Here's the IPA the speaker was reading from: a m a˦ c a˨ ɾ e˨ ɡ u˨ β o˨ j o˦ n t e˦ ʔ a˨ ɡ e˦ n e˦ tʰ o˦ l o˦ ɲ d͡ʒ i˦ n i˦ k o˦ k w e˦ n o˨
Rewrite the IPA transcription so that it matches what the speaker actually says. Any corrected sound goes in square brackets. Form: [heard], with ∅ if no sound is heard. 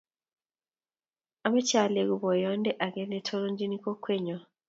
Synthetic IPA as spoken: a m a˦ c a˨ [l] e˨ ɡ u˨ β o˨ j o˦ n [d] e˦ ʔ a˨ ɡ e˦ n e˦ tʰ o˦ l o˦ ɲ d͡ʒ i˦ n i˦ k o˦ k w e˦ [ɲ] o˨